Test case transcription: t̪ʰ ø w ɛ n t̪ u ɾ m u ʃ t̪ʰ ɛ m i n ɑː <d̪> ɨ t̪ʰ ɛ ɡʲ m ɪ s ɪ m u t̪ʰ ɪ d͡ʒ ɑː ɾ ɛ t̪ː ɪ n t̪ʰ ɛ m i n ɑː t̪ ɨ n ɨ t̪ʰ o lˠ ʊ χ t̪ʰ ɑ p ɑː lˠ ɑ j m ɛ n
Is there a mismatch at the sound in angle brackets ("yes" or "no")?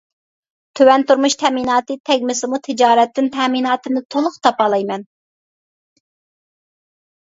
yes